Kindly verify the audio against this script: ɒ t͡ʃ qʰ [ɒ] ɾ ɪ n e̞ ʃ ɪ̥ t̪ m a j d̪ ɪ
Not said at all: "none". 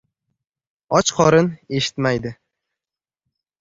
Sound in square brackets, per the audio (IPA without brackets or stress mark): ɒ